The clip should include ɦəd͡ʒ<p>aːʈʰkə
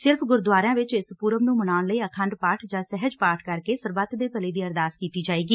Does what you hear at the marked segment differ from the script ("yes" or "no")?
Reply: no